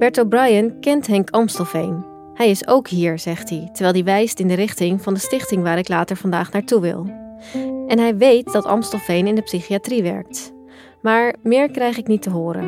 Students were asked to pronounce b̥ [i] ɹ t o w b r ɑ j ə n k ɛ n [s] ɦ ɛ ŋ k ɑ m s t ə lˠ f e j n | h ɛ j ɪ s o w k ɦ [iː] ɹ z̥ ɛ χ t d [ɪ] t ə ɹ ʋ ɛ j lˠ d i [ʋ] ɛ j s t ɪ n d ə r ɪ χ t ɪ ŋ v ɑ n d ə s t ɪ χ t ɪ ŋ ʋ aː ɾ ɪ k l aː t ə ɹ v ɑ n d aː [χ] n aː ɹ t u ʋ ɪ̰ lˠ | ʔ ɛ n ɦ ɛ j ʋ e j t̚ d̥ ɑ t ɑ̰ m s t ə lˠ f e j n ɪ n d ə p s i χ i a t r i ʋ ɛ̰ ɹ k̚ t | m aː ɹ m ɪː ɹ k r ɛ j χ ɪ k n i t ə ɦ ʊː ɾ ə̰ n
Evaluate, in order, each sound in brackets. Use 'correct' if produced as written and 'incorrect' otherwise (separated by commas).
incorrect, incorrect, correct, incorrect, correct, correct